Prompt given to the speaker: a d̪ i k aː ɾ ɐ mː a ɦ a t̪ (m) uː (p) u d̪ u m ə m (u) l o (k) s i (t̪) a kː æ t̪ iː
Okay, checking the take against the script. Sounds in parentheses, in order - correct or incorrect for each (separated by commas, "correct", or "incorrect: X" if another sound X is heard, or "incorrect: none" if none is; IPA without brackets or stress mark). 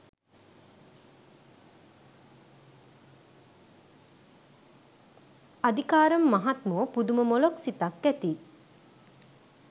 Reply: correct, correct, incorrect: o, correct, correct